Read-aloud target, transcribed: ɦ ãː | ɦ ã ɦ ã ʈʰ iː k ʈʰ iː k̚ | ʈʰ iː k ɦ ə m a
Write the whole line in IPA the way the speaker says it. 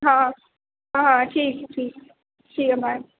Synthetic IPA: ɦ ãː | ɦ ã ɦ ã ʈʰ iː k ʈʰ iː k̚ | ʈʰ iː k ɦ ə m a